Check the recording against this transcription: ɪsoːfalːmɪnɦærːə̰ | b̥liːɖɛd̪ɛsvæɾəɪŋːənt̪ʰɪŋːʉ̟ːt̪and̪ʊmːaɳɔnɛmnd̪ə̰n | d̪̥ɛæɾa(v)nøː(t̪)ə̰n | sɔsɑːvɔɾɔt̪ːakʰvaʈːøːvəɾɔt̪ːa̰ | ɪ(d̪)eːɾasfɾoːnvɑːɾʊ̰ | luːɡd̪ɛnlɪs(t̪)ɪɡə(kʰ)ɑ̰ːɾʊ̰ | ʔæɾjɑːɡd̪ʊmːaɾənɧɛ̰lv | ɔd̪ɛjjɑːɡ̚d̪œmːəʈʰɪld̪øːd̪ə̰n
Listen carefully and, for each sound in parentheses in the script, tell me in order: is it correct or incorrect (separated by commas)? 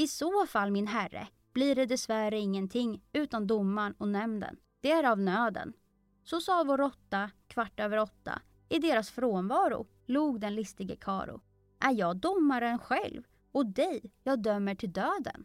correct, incorrect, correct, correct, correct